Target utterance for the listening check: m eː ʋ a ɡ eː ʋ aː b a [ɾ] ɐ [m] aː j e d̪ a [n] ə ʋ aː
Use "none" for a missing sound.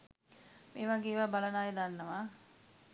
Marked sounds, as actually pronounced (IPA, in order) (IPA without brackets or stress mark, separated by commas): l, n, nː